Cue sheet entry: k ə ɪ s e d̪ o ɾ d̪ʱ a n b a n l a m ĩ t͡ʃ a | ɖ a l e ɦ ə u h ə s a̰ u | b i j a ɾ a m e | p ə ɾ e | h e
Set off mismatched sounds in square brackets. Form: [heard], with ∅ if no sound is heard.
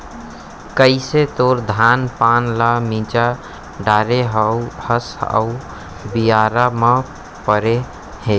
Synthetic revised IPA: k ə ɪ s e [t̪] o ɾ d̪ʱ a n [p] a n l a m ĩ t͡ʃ a | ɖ a [ɾ] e ɦ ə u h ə s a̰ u | b i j a ɾ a m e | p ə ɾ e | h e